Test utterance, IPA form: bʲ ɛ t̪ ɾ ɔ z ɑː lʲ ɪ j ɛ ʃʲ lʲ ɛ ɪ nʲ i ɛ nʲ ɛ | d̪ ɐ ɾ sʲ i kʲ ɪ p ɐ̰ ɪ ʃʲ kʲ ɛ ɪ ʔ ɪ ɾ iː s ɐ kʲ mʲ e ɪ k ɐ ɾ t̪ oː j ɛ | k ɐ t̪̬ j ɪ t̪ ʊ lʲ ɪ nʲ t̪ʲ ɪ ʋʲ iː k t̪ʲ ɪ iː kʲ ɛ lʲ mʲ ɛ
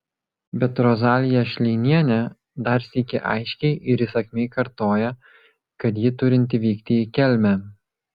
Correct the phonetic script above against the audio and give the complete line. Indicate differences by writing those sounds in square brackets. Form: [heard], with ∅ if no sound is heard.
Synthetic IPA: bʲ ɛ t̪ ɾ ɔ z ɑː lʲ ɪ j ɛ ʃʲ lʲ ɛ ɪ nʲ i ɛ nʲ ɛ | d̪ ɐ ɾ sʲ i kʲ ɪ [ʔ] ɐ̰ ɪ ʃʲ kʲ ɛ ɪ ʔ ɪ ɾ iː s ɐ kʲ mʲ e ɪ k ɐ ɾ t̪ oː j ɛ | k ɐ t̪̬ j ɪ t̪ ʊ [ɾʲ] ɪ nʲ t̪ʲ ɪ ʋʲ iː k t̪ʲ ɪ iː kʲ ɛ lʲ mʲ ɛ

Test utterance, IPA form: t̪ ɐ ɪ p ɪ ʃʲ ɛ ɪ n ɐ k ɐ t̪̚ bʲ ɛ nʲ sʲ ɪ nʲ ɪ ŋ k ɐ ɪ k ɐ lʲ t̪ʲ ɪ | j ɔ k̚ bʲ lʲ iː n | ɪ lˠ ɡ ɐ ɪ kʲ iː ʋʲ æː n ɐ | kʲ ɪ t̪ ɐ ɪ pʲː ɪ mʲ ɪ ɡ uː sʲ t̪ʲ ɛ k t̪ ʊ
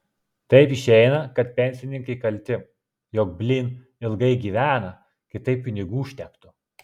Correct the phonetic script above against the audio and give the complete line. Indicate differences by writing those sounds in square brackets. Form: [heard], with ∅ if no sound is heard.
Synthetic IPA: t̪ ɐ ɪ p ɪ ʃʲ ɛ ɪ n ɐ k ɐ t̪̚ [pʲ] ɛ nʲ sʲ ɪ nʲ ɪ ŋ k ɐ ɪ k ɐ lʲ t̪ʲ ɪ | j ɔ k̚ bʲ lʲ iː n | ɪ lˠ ɡ ɐ ɪ [ɡʲ] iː ʋʲ æː n ɐ | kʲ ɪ t̪ ɐ ɪ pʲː ɪ [nʲ] ɪ ɡ uː [ʃʲ] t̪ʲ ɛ k t̪ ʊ

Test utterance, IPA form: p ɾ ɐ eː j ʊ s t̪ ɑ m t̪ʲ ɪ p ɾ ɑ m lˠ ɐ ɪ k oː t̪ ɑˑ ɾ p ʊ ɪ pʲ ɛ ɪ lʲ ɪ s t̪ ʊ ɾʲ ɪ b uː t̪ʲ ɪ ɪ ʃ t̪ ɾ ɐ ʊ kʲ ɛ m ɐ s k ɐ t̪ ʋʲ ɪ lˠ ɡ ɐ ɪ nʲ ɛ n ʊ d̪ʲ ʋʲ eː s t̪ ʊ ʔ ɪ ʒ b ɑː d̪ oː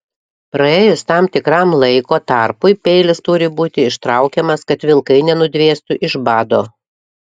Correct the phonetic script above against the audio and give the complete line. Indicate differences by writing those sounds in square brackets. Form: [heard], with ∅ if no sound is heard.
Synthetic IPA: p ɾ ɐ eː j ʊ s t̪ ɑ m t̪ʲ ɪ [k] ɾ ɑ m lˠ ɐ ɪ k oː t̪ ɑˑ ɾ p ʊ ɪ pʲ ɛ ɪ lʲ ɪ s t̪ ʊ ɾʲ ɪ b uː t̪ʲ ɪ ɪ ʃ t̪ ɾ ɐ ʊ kʲ ɛ m ɐ s k ɐ t̪ ʋʲ ɪ lˠ [k] ɐ ɪ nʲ ɛ n ʊ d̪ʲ ʋʲ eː s t̪ ʊ ʔ ɪ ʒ b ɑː d̪ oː

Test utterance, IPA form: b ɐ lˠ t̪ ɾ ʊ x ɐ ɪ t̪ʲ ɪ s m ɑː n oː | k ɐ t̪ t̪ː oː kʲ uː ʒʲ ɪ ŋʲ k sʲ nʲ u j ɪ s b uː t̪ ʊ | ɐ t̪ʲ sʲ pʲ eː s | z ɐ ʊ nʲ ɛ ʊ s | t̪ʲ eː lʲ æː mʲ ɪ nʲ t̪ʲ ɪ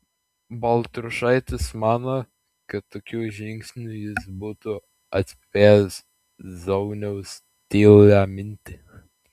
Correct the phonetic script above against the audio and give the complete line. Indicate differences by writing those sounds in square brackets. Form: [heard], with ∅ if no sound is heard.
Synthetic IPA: b ɐ lˠ t̪ ɾ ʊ [ʃ] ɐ ɪ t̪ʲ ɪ s m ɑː n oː | k ɐ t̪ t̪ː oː kʲ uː ʒʲ ɪ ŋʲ k sʲ nʲ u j ɪ s b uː t̪ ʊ | ɐ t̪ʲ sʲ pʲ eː s | z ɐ ʊ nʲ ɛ ʊ s | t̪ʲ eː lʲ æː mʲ ɪ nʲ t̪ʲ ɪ

